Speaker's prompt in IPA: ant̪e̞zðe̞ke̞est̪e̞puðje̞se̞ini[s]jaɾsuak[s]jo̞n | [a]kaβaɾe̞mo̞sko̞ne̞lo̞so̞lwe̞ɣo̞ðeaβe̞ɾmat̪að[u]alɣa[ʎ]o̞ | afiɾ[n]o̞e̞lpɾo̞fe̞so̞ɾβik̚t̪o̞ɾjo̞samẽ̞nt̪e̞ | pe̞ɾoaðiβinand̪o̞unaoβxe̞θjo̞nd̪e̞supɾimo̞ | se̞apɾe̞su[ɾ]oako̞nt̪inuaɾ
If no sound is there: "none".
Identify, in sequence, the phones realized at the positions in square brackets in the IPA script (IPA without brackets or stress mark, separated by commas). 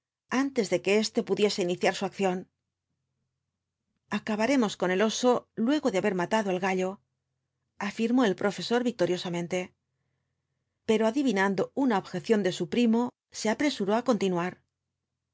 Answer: θ, θ, a, o, ʎ, m, ɾ